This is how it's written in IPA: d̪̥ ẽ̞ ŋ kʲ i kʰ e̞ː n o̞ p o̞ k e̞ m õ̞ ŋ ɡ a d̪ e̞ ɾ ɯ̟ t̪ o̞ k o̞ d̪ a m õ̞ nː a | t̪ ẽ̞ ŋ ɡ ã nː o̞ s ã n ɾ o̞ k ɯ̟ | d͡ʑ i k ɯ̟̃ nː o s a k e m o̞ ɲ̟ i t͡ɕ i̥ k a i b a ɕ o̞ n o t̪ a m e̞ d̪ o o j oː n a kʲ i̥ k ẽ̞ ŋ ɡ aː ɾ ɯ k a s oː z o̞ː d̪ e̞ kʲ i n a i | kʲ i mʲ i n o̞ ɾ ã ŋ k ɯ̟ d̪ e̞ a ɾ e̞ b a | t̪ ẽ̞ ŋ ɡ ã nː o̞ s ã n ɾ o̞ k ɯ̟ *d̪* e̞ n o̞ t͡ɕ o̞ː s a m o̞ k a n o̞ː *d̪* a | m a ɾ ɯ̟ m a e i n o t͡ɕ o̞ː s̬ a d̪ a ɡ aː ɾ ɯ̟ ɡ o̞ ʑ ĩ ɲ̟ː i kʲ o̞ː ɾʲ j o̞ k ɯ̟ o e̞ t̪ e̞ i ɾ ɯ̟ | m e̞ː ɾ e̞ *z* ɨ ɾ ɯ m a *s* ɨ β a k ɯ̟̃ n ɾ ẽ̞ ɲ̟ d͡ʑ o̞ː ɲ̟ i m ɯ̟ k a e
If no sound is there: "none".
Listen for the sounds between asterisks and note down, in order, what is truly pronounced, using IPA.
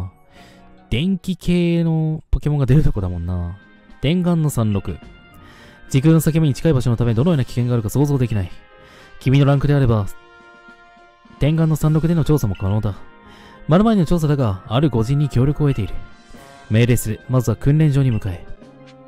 d̪, d̪, s, z

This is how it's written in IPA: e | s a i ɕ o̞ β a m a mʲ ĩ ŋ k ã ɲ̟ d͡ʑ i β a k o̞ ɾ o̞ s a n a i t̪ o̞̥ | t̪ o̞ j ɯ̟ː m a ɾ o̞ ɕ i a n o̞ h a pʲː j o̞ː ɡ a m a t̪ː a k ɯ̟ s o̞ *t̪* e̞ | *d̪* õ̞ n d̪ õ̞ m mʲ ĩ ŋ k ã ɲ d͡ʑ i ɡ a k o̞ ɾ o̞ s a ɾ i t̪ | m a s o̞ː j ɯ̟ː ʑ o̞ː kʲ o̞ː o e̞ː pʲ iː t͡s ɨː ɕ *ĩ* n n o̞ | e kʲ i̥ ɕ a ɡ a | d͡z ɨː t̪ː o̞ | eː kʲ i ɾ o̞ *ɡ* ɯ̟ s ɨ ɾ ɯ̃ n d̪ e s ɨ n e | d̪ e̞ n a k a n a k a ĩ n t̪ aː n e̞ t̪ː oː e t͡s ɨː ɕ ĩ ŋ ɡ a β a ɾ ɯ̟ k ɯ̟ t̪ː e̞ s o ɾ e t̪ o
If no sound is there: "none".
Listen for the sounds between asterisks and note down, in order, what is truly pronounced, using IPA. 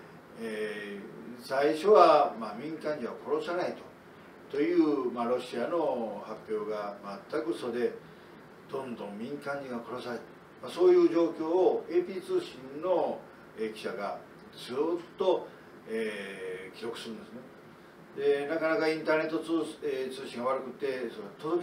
d̪, d̪, ĩ, k

